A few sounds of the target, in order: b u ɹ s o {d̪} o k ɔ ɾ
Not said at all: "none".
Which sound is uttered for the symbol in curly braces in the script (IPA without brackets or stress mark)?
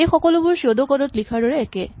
d̪